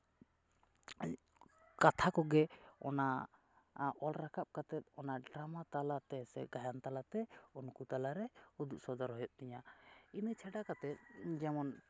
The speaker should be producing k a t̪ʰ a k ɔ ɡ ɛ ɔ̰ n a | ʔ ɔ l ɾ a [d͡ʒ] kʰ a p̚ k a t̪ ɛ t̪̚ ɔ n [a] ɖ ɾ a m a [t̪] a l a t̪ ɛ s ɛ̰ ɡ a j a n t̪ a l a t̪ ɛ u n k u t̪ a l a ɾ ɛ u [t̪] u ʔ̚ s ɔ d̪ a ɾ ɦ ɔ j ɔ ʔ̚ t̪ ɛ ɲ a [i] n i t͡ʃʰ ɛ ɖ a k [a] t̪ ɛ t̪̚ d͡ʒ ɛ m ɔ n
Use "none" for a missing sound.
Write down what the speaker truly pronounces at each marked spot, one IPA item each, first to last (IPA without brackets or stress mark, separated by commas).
none, a, t̪, d̪, i, a